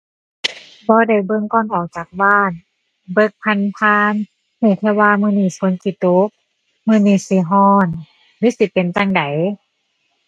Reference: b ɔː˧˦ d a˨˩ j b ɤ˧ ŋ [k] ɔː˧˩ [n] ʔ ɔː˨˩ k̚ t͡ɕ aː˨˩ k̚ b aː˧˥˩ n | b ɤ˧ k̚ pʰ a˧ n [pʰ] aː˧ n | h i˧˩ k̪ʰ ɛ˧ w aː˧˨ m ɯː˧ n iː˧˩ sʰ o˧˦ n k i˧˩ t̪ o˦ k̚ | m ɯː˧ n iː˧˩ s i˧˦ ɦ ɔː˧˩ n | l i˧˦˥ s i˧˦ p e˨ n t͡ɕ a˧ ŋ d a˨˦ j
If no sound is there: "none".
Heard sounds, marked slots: k, n, pʰ

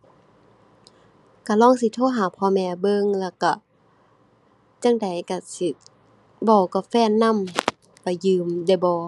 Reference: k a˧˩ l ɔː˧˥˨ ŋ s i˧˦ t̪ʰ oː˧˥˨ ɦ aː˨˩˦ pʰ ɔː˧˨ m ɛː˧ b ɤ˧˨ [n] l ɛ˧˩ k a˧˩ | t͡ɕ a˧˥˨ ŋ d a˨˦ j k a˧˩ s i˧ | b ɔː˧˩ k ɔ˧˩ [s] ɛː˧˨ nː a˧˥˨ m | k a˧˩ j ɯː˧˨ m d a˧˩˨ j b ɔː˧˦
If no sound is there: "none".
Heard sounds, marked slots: ŋ, f

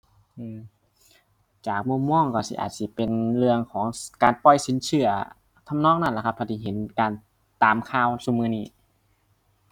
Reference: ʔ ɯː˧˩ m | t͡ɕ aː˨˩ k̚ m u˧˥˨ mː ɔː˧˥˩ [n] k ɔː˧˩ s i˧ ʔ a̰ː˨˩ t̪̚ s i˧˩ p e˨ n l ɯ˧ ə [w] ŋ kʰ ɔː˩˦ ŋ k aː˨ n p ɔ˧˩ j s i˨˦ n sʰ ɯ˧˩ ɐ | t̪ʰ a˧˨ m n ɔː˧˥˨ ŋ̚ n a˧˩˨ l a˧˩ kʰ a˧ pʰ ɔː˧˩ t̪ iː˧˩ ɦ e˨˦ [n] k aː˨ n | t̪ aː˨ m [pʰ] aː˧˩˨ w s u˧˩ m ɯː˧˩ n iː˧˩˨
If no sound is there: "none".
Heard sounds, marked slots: ŋ, none, n, kʰ

